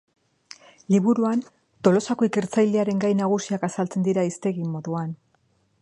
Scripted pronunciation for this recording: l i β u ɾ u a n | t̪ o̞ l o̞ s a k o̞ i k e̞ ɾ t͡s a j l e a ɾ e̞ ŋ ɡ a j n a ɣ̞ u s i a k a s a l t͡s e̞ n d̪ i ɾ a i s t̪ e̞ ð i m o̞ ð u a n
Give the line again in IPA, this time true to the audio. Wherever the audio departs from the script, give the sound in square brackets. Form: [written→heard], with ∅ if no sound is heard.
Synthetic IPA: l i β u ɾ u a n | t̪ o̞ l o̞ s a k o̞ i k e̞ ɾ t͡s a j l e a ɾ e̞ ŋ ɡ a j n a ɣ̞ u s i a k a s a l t͡s e̞ n d̪ i ɾ a i s t̪ e̞ [ð→ɣ] i m o̞ ð u a n